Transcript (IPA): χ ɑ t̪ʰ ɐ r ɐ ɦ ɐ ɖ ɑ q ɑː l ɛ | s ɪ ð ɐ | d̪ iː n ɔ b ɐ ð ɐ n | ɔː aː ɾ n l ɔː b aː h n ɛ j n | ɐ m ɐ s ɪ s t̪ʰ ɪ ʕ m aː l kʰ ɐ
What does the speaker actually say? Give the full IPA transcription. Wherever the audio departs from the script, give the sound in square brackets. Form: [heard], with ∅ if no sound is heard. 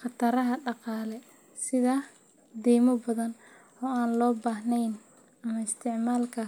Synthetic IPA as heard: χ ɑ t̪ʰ ɐ [ɾ] ɐ ɦ ɐ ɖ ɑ q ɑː l ɛ | s ɪ ð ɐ | d̪ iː [m] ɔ b ɐ ð ɐ n | ɔː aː [∅] n l ɔː b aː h n ɛ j n | ɐ m ɐ [∅] ɪ s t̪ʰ ɪ ʕ m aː l kʰ ɐ